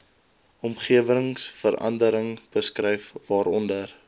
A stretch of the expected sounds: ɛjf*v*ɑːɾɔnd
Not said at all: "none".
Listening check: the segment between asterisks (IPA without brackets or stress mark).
v